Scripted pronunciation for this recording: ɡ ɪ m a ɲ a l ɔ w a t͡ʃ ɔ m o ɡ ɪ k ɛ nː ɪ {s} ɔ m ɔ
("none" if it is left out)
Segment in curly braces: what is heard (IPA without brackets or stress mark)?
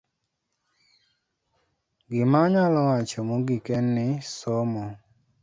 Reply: s